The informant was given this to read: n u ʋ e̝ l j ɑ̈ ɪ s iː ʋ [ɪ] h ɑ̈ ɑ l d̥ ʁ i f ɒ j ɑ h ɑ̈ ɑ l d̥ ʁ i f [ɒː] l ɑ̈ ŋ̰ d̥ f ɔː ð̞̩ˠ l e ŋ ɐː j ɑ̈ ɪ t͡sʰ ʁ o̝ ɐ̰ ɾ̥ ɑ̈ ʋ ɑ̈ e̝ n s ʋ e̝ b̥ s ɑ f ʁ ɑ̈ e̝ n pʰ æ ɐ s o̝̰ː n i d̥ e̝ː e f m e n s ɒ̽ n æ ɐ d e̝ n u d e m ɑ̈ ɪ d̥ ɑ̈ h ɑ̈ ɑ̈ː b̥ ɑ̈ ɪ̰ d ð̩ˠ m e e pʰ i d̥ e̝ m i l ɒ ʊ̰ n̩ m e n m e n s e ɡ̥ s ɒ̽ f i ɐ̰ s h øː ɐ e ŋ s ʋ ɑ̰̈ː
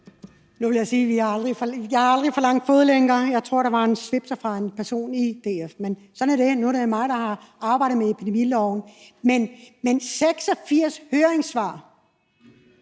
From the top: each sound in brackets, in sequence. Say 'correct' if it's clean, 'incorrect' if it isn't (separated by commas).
incorrect, incorrect